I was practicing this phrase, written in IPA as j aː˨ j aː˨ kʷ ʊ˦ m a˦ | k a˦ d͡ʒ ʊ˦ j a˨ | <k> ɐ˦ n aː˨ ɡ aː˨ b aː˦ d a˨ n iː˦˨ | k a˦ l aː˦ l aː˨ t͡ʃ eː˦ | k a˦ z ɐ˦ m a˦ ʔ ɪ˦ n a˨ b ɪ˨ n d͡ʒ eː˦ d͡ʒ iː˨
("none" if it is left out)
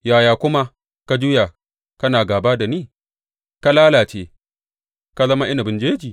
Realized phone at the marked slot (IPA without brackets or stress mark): k